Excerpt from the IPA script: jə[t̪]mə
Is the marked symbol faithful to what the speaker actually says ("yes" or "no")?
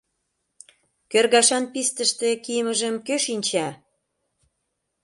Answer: no